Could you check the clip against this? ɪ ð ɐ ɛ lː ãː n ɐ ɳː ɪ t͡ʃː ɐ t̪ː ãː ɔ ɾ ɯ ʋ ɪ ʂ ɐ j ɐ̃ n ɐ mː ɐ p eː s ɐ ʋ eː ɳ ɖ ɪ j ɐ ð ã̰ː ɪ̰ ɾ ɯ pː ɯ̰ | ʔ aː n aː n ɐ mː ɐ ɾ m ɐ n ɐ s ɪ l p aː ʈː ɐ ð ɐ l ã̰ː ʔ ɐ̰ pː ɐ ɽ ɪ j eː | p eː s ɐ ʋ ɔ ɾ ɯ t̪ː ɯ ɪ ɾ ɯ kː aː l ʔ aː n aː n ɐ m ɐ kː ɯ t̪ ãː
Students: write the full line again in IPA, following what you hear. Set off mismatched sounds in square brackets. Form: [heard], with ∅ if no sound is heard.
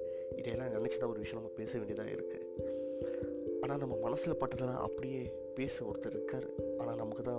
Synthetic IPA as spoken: ɪ ð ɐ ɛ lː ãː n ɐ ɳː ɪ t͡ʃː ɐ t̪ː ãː ɔ ɾ ɯ ʋ ɪ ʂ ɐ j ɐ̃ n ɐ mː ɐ p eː s ɐ ʋ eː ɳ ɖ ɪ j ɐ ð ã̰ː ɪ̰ ɾ ɯ [kː] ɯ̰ | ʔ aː n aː n ɐ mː ɐ [∅] m ɐ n ɐ s ɪ l p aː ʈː ɐ ð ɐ l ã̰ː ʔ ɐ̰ pː ɐ ɽ ɪ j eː | p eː s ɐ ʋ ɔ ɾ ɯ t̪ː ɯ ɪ ɾ ɯ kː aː [ɾ] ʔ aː n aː n ɐ m ɐ kː ɯ t̪ ãː